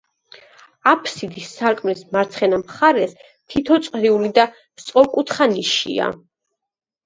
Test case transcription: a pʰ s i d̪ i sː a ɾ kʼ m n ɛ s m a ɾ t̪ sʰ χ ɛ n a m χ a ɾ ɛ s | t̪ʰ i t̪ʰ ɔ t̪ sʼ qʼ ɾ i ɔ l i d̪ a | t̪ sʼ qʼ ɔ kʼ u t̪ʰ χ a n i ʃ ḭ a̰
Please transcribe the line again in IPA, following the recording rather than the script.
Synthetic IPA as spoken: a pʰ s i d̪ i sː a ɾ kʼ m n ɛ s m a ɾ t̪ sʰ χ ɛ n a m χ a ɾ ɛ s | t̪ʰ i t̪ʰ ɔ t̪ sʼ qʼ ɾ i u l i d̪ a | t̪ sʼ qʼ ɔ kʼ u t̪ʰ χ a n i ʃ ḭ a̰